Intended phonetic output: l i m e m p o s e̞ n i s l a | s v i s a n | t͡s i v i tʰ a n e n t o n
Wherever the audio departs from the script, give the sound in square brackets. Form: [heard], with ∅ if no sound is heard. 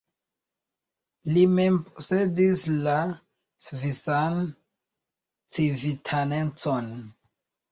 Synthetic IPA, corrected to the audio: l i m e m p o s e̞ [d] i s l a | s v i s a n | t͡s i v i tʰ a n e n [t͡s] o n